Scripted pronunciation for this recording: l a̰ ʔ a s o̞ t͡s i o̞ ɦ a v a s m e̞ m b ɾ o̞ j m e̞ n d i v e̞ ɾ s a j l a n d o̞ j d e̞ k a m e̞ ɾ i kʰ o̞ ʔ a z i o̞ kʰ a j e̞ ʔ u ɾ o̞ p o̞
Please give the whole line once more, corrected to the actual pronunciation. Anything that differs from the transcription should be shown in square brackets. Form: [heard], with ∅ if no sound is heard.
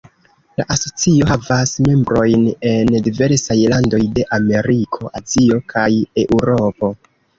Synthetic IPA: l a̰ ʔ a s o̞ t͡s i o̞ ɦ a v a s m e̞ m b ɾ o̞ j [n] e̞ n d i v e̞ ɾ s a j l a n d o̞ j d e̞ [ʔ] a m e̞ ɾ i kʰ o̞ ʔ a z i o̞ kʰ a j e̞ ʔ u ɾ o̞ p o̞